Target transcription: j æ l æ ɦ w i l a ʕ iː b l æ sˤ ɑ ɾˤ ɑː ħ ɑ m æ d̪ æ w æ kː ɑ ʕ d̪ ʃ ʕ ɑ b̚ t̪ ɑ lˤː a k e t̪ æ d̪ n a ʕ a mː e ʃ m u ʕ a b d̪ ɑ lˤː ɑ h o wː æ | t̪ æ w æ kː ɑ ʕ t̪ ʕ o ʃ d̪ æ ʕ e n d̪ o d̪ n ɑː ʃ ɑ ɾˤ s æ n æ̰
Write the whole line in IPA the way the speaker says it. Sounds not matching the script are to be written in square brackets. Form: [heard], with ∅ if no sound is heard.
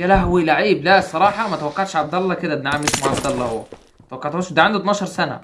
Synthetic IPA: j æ l æ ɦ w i l a ʕ iː b l æ sˤ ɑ ɾˤ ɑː ħ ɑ m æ [t̪] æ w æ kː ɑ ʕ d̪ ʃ ʕ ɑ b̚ [d̪] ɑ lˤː [ɑ] k e [d̪] æ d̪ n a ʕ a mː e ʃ m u ʕ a b d̪ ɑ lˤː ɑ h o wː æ | t̪ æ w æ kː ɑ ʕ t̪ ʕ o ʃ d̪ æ ʕ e n d̪ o [t̪] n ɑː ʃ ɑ ɾˤ s æ n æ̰